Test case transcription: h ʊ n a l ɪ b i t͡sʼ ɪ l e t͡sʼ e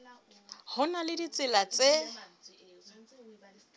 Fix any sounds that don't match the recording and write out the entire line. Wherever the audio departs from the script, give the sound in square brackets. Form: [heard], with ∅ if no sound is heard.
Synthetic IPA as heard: h ʊ n a l ɪ [d] i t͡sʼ ɪ l [a] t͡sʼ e